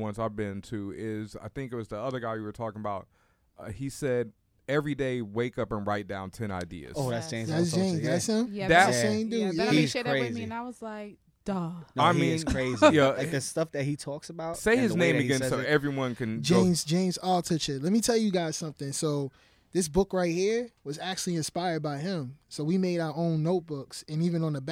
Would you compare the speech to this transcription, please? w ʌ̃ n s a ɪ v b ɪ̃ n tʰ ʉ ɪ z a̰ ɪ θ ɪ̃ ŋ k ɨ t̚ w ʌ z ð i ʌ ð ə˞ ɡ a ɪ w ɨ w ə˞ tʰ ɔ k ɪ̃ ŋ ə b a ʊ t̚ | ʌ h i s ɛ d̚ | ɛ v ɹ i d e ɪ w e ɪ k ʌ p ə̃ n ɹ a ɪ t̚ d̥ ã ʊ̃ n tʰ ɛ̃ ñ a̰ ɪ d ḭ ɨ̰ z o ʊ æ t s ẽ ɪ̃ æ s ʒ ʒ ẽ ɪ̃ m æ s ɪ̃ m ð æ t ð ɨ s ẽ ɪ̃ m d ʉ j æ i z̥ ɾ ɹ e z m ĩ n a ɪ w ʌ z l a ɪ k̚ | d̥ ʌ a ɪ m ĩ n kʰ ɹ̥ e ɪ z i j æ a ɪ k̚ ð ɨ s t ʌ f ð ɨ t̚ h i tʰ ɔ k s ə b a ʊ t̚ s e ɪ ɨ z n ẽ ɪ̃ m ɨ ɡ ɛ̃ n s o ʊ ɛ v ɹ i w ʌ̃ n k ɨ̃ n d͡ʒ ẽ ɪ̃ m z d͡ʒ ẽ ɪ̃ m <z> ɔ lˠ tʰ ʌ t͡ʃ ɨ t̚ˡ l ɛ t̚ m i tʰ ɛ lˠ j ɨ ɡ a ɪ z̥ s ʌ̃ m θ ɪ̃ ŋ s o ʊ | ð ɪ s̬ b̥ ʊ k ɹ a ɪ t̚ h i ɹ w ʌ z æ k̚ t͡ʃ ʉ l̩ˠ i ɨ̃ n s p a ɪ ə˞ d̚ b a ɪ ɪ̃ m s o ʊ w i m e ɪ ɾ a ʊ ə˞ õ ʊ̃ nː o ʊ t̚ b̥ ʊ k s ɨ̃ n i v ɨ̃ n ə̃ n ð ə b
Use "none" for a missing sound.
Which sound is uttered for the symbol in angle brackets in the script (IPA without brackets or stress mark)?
z